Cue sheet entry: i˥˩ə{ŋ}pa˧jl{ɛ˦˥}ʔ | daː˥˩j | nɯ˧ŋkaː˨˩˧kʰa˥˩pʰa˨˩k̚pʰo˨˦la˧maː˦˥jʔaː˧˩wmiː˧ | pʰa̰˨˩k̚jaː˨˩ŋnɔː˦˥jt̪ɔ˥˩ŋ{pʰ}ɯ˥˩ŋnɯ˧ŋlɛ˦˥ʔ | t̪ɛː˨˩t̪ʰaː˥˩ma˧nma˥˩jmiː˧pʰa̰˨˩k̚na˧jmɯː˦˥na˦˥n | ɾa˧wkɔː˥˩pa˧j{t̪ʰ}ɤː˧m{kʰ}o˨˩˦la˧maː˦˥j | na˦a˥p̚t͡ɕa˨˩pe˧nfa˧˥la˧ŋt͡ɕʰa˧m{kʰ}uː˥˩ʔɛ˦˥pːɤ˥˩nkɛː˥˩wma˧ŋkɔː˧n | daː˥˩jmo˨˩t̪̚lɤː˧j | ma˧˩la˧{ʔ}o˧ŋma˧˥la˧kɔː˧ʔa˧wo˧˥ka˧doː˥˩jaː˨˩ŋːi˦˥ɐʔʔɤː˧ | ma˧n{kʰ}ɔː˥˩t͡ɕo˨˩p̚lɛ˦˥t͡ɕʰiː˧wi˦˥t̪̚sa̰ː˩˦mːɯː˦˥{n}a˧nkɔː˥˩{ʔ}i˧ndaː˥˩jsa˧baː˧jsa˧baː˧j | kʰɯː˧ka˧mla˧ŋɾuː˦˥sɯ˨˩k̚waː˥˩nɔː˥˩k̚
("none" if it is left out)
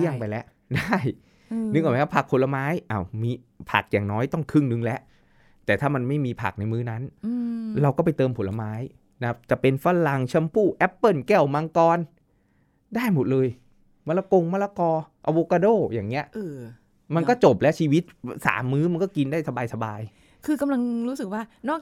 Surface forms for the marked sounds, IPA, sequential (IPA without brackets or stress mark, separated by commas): ŋ, ɛ˦˥, kʰ, t̪, pʰ, pʰ, k, k, m, k